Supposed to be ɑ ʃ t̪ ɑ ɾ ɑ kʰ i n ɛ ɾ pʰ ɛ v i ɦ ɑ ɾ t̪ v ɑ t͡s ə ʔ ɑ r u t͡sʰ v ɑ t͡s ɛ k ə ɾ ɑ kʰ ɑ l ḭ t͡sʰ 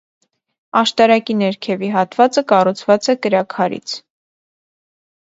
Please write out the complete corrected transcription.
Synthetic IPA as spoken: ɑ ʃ t̪ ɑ ɾ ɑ k i n ɛ ɾ kʰ ɛ v i ɦ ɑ t̪ v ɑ t͡s ə k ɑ r u t͡sʰ v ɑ t͡s ɛ k ə ɾ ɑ kʰ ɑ ɾ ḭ t͡sʰ